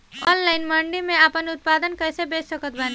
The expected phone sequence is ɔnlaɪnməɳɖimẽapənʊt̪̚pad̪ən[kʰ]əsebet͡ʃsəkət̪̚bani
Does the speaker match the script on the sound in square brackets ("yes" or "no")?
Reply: no